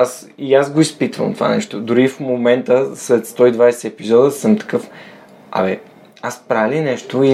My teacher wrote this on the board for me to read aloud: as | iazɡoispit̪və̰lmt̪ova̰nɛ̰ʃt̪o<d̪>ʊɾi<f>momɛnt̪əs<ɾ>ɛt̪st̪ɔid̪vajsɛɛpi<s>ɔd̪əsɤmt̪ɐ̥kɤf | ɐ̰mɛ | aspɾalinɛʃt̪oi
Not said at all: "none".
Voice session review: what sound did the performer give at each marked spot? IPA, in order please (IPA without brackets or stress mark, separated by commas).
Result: d̪, f, l, z